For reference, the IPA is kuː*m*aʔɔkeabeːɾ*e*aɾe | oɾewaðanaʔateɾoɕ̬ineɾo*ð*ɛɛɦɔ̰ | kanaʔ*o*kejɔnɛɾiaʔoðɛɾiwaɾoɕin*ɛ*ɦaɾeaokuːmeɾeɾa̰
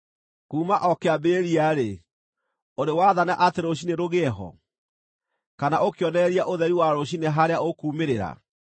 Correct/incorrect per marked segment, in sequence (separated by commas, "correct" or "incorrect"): correct, incorrect, incorrect, correct, incorrect